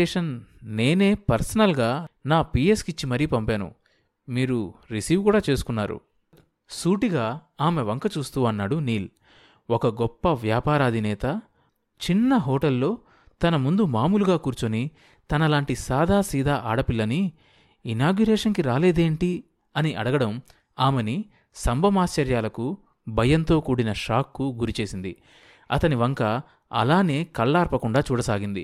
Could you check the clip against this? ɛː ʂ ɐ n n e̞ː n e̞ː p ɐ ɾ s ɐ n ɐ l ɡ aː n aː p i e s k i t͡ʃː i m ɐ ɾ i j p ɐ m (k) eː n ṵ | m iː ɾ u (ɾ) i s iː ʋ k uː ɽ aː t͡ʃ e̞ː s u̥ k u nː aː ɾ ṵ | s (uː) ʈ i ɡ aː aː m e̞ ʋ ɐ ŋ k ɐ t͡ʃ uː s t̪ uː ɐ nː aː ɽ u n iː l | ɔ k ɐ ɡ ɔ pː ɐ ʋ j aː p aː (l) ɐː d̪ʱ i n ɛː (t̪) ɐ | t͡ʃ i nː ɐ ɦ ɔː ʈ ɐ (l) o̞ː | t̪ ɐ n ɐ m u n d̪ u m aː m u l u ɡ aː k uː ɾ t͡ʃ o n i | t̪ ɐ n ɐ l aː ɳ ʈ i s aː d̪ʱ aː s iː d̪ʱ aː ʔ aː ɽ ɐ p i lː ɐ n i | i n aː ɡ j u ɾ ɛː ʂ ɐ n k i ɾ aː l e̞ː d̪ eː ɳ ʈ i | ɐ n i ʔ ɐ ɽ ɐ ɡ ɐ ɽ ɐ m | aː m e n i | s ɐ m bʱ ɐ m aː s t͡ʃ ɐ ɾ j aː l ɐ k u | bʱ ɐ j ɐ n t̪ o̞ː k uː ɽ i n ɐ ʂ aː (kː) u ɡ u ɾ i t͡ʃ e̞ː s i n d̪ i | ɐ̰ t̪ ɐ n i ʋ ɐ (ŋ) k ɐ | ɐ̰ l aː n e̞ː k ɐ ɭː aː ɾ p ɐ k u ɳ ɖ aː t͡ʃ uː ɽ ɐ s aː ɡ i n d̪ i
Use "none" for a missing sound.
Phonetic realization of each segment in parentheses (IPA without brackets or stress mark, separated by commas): p, ɾ, uː, ɾ, t̪, lː, kː, ŋ